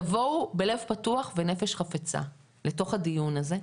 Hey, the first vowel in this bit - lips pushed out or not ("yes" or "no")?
yes